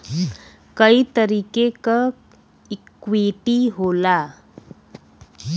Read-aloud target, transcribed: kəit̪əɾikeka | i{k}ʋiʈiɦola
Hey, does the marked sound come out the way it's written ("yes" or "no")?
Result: yes